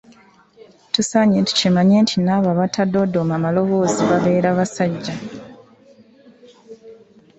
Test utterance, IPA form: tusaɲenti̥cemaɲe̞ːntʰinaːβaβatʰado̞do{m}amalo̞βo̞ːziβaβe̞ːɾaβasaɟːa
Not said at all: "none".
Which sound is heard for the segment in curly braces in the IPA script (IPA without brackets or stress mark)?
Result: m